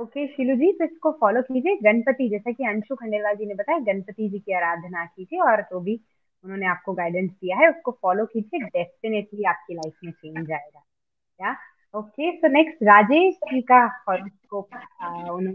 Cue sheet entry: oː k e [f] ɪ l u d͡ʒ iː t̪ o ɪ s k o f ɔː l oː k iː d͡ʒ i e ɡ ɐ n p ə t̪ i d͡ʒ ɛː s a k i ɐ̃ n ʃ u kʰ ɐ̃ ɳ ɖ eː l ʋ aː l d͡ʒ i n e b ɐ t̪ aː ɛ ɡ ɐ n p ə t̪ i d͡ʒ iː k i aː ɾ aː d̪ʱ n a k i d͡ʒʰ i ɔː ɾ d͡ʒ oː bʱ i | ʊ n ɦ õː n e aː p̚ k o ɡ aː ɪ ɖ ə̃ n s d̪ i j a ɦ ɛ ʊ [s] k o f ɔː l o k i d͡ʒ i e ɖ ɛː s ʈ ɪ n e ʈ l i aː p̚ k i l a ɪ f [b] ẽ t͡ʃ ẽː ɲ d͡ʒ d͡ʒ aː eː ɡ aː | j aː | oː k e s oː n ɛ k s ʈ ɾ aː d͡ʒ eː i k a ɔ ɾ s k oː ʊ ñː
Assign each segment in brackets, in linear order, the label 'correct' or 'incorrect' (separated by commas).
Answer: incorrect, correct, incorrect